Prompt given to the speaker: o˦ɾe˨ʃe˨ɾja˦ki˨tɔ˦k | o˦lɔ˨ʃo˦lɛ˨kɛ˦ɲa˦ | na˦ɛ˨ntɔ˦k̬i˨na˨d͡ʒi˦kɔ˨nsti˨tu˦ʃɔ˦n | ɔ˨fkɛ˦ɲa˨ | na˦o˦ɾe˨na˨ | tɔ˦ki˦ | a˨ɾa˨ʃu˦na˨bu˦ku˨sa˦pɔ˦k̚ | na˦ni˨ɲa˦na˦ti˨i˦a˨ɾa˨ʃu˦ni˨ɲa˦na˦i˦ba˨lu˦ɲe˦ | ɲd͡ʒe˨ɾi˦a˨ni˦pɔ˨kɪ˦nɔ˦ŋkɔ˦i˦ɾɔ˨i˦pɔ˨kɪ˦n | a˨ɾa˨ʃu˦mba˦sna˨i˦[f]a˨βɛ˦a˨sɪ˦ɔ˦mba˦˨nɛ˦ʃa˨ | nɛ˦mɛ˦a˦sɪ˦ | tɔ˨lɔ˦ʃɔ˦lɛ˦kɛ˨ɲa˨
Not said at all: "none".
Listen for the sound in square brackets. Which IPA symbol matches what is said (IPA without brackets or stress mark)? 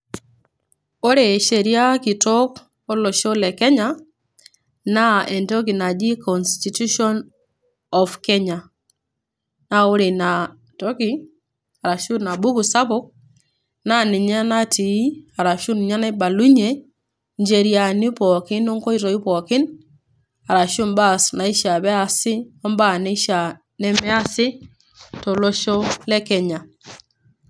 ʃ